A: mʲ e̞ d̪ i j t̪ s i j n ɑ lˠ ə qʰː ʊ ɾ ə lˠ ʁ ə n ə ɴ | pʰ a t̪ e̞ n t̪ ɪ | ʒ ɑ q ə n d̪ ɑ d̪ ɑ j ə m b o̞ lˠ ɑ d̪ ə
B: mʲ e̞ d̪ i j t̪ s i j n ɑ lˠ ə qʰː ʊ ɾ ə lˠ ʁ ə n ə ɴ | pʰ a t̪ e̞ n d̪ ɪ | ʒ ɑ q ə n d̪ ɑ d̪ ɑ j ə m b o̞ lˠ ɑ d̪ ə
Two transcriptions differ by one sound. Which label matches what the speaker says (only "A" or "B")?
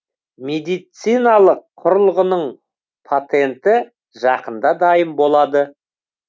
A